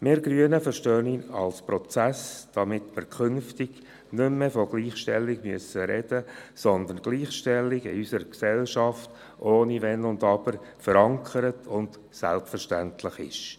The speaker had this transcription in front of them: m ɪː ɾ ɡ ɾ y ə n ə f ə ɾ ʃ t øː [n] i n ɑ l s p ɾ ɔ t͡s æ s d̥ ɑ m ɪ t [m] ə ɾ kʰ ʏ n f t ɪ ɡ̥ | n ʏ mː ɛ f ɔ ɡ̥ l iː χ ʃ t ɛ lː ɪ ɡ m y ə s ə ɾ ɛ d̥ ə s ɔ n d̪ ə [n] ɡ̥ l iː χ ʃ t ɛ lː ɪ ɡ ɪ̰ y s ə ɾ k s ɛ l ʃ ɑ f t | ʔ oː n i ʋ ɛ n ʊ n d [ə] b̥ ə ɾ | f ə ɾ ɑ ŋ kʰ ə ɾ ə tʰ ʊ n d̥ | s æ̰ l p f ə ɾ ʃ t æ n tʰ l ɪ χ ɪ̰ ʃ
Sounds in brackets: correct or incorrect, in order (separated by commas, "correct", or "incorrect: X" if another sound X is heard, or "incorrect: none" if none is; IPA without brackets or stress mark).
correct, correct, correct, incorrect: ɑ